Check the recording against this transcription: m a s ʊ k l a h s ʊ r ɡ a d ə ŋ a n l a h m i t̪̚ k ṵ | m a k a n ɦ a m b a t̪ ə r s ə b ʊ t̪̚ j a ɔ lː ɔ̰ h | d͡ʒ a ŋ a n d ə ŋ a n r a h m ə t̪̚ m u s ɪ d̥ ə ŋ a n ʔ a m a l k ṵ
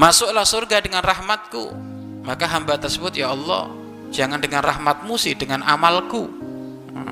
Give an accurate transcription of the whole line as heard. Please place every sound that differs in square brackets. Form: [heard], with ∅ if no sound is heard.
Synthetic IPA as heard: m a s ʊ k l a h s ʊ r ɡ a d ə ŋ a n [r] a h m [a] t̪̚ k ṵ | m a k a [∅] ɦ a m b a t̪ ə r s ə b ʊ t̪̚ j a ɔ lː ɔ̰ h | d͡ʒ a ŋ a n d ə ŋ a n r a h m [a] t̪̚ m u s ɪ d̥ ə ŋ a n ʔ a m a l k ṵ